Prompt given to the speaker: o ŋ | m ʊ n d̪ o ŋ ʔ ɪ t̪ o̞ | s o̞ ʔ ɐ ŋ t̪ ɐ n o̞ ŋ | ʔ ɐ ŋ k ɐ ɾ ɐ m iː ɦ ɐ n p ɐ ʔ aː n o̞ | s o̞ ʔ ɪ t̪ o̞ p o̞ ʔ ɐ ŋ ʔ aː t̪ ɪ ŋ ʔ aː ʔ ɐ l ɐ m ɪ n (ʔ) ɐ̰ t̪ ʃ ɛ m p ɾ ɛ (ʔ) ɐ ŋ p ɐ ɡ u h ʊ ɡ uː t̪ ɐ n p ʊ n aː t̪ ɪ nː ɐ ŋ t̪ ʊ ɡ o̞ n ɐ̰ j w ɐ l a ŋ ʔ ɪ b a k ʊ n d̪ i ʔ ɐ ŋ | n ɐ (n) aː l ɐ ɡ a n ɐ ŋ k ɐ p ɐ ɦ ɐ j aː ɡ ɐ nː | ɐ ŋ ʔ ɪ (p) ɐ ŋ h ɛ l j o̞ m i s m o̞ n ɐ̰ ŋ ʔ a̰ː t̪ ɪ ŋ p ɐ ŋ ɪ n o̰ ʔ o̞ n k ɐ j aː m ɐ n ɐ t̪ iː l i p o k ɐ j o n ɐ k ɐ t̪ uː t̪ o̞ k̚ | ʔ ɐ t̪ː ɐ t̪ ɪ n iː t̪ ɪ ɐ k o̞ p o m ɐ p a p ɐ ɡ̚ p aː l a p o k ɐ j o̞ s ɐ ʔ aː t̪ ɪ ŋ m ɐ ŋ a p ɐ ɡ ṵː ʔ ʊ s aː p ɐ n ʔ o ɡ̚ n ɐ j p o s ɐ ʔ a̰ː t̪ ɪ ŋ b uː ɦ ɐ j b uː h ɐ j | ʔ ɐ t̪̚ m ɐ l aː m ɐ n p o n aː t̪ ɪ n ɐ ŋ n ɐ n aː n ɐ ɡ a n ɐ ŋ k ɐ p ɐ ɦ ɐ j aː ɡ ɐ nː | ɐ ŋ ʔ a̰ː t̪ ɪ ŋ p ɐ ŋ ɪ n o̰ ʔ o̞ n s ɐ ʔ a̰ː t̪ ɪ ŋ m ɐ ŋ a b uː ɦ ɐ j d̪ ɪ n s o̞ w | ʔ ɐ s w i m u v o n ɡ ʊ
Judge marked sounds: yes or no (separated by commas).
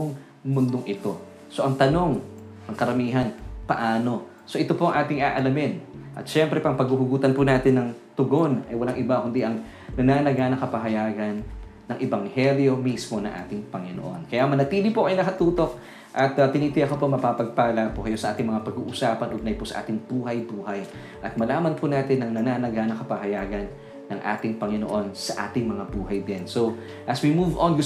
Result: yes, no, yes, no